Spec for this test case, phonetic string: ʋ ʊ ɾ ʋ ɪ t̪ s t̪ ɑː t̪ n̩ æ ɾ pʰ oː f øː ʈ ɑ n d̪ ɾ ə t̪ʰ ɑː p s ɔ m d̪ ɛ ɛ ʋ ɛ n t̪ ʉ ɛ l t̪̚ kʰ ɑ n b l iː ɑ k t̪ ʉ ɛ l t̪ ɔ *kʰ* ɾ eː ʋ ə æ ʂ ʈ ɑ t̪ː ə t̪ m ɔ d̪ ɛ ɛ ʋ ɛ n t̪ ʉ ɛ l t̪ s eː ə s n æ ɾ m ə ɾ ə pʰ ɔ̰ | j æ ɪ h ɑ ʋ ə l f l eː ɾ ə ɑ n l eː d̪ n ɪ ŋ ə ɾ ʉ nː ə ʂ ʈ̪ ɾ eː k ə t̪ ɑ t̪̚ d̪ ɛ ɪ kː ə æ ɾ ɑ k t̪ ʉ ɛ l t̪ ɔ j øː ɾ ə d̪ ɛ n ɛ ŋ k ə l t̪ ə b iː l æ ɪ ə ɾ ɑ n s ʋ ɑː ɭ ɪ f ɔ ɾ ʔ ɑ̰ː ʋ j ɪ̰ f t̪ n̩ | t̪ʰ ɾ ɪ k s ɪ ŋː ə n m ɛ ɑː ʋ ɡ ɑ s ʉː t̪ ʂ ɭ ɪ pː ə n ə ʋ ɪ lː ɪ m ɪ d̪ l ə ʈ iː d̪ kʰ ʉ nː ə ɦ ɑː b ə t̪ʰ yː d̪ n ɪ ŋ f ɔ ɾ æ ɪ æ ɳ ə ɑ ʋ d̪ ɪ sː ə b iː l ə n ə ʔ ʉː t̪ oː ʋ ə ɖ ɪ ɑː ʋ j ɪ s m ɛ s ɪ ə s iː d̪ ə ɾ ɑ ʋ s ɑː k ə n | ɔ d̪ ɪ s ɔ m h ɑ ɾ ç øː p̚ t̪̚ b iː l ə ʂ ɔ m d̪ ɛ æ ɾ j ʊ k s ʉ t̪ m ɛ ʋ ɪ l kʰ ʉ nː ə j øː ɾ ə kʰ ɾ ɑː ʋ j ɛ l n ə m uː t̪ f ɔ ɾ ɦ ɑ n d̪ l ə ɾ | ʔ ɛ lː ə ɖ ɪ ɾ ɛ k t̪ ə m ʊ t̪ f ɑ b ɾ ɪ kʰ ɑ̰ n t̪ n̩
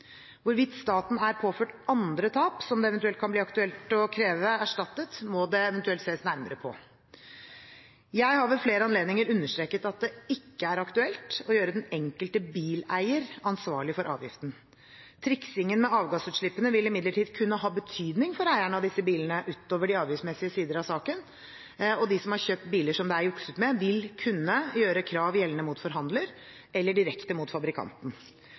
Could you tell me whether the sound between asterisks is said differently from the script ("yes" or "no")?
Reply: no